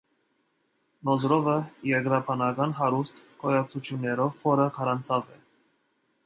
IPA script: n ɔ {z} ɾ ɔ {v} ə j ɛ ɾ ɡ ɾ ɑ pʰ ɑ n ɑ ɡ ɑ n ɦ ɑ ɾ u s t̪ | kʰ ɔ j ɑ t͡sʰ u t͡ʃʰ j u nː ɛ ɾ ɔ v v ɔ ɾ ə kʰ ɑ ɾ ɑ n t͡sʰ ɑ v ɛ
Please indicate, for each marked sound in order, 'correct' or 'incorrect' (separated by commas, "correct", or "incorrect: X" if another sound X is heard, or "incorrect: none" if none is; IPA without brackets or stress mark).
correct, correct